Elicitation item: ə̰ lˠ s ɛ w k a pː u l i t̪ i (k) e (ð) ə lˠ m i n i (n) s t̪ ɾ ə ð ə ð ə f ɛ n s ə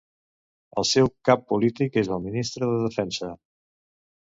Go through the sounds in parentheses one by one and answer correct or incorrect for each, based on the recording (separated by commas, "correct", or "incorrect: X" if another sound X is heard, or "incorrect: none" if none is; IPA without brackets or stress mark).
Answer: correct, incorrect: z, incorrect: none